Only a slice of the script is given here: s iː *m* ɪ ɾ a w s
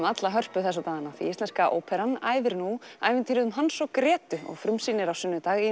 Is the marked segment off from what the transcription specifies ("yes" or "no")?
yes